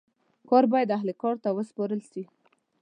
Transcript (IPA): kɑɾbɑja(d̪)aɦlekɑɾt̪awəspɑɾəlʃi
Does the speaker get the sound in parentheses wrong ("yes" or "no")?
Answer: no